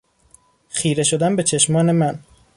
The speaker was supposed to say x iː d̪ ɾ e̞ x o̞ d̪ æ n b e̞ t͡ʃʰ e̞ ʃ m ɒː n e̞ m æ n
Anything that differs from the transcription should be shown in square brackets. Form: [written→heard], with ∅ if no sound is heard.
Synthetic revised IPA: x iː [d̪→∅] ɾ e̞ [x→ʃ] o̞ d̪ æ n b e̞ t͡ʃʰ e̞ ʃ m ɒː n e̞ m æ n